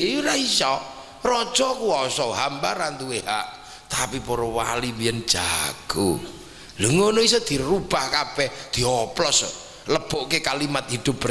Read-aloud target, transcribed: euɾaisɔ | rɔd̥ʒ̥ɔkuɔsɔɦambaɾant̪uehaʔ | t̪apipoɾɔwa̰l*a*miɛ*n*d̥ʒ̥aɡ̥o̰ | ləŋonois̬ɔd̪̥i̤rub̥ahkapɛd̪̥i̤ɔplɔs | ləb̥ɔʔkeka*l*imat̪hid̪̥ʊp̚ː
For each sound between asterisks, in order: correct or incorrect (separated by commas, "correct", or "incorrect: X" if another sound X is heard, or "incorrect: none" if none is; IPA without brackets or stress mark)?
incorrect: i, correct, correct